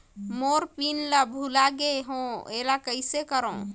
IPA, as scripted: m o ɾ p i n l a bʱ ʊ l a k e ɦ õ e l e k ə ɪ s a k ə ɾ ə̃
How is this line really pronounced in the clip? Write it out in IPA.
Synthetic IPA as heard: m o ɾ p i n l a bʱ u l a ɡ e ɦ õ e l a k ə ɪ s e k ə ɾ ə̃